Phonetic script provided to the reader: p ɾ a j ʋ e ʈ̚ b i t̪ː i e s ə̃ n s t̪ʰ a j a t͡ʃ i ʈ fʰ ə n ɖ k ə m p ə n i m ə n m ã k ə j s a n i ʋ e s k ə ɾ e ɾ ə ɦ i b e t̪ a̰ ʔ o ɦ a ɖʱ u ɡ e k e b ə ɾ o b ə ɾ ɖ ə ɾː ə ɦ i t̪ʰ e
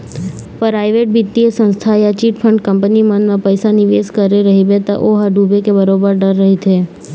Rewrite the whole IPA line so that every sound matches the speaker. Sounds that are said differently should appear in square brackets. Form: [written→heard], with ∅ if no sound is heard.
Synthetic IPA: p ɾ a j ʋ e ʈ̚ b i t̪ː i e s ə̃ n s t̪ʰ a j a t͡ʃ i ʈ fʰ ə [n→ɳ] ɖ k ə m p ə n i m ə n m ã [k→p] ə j s a n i ʋ e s k ə ɾ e ɾ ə ɦ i b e t̪ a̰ ʔ o ɦ a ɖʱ u [ɡ→b] e k e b ə ɾ o b ə ɾ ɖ ə ɾː ə ɦ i t̪ʰ e